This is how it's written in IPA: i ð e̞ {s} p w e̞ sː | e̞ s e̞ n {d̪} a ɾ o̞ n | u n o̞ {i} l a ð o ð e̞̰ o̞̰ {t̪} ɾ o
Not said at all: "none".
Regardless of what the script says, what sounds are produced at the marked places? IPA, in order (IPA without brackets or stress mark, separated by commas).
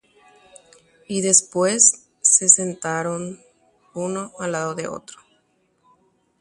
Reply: s, t̪, a, t̪